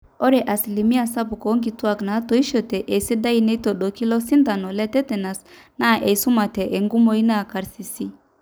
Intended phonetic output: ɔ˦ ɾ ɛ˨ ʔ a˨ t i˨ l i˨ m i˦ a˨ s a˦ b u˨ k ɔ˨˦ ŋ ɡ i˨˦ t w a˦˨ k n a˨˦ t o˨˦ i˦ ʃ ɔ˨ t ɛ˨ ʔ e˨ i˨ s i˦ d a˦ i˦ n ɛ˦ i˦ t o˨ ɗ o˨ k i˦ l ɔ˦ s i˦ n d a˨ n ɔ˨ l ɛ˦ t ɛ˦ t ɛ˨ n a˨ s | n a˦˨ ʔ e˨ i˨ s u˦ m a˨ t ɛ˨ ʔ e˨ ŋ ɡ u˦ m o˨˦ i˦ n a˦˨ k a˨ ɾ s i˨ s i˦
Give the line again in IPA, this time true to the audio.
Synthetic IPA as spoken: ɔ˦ ɾ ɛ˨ ʔ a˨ s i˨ l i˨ m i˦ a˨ s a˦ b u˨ k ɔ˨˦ ŋ ɡ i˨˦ t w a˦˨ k n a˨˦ t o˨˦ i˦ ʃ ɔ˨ t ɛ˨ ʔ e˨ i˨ s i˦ d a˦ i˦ n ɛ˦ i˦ t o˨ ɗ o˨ k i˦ l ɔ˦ s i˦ n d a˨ n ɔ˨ l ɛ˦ t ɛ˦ t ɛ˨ n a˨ s | n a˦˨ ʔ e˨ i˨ s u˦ m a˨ t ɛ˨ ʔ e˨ ŋ ɡ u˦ m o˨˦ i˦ n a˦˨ k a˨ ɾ s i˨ s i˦